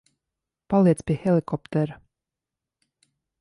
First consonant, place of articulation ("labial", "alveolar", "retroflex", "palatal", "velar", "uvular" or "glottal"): labial